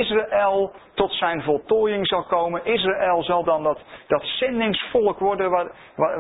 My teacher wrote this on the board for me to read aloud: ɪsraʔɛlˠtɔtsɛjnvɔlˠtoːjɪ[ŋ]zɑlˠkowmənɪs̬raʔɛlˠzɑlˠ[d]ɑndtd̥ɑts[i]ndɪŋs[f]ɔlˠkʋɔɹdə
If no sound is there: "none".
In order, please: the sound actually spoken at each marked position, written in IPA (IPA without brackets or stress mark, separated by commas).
ŋ, d, ɛ, f